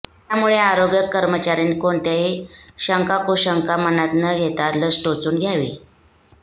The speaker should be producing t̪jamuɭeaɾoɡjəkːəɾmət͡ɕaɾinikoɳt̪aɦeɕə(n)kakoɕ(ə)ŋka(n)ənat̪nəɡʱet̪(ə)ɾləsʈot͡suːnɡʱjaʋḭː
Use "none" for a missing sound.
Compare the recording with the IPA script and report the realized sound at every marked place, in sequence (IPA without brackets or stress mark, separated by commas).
ŋ, ə, m, a